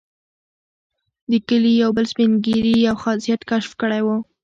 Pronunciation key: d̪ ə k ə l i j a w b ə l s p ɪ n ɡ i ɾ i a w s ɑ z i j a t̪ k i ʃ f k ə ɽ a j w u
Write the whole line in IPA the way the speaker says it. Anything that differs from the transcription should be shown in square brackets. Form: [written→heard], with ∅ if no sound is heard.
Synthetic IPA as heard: d̪ ə k ə l i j a w b ə l s p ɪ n ɡ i ɾ i a w [s→x] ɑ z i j a t̪ k [i→a] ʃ f k ə ɽ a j w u